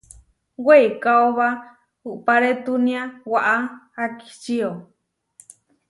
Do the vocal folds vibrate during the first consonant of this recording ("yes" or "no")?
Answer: yes